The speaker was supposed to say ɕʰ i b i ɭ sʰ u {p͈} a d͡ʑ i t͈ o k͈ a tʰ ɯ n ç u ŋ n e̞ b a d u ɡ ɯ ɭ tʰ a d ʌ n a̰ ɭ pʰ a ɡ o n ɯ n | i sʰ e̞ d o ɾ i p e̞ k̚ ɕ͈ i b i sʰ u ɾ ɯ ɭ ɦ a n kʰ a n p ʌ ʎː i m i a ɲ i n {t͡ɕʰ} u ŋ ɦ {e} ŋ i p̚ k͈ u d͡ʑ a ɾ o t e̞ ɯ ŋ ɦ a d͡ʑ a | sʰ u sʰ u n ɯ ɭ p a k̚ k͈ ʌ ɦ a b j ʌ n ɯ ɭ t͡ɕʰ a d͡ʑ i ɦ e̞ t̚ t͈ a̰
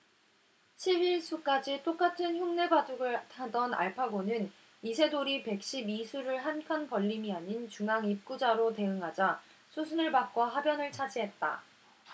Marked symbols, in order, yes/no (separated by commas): no, no, no